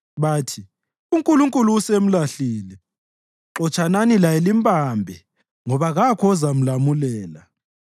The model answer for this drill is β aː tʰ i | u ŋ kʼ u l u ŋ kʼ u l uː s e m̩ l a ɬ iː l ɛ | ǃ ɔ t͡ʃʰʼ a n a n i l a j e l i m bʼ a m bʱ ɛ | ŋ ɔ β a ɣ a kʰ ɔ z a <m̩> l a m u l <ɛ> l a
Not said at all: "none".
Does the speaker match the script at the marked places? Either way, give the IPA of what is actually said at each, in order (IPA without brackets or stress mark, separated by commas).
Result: m̩, ɛː